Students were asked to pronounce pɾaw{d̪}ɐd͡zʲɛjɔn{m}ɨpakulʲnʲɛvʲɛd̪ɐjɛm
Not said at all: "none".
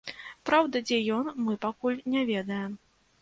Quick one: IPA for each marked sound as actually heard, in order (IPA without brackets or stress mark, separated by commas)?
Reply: d̪, m